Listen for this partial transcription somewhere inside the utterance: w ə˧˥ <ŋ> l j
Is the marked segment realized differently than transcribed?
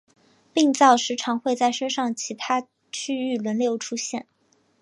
yes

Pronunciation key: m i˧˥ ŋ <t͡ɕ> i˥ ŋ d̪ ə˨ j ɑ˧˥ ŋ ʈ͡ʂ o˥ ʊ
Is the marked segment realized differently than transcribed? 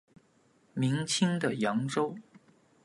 yes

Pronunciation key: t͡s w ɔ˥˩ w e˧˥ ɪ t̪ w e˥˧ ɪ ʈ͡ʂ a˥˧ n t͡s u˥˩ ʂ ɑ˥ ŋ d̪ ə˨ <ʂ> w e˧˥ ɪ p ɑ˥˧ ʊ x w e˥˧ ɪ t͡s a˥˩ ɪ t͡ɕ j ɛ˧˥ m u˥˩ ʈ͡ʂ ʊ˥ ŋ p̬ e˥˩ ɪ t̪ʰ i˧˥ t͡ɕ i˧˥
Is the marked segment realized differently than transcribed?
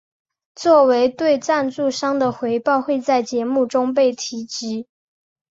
yes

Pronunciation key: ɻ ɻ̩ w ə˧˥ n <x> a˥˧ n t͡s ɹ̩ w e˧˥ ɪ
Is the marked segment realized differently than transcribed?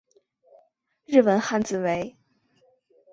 no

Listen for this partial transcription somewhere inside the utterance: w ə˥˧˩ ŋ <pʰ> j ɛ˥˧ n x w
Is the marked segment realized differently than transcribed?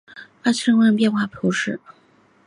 yes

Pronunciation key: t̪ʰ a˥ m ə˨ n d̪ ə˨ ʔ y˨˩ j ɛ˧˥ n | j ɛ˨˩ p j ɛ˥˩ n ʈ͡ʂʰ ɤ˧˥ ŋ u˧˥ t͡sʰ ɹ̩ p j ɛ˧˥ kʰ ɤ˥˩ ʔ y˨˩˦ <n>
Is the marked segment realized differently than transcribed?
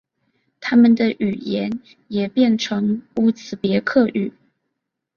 yes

